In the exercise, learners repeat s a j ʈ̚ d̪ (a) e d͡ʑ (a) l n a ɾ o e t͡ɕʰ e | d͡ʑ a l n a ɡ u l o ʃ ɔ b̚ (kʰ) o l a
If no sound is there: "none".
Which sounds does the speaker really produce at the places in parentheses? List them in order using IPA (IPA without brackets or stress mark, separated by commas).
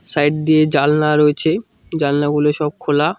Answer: i, a, kʰ